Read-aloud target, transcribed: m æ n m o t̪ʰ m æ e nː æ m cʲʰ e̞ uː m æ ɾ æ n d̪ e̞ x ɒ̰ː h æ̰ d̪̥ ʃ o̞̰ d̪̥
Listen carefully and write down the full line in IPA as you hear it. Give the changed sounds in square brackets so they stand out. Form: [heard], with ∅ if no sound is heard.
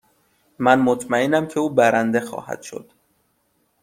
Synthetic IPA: m æ n m o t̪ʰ m æ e [n] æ m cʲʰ e̞ uː [b] æ ɾ æ n d̪ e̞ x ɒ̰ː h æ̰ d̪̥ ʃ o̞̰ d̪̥